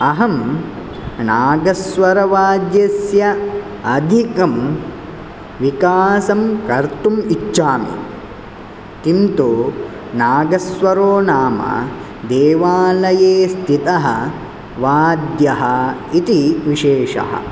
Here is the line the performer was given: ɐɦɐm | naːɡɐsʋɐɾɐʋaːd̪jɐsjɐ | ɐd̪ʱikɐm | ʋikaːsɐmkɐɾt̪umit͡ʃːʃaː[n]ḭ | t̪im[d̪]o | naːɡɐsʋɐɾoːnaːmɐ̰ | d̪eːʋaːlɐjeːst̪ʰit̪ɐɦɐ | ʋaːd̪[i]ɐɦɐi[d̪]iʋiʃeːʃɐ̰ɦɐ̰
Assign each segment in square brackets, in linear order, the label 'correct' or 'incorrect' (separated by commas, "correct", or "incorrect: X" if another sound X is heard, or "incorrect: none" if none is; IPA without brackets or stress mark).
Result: incorrect: m, incorrect: t̪, incorrect: j, incorrect: t̪